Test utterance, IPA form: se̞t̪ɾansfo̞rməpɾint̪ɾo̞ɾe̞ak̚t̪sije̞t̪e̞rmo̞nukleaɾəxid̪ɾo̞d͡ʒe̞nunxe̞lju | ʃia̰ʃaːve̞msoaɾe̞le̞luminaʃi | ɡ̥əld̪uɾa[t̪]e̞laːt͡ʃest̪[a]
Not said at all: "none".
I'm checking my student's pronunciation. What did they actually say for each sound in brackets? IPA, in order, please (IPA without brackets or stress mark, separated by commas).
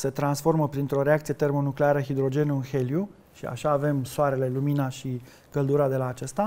d̪, a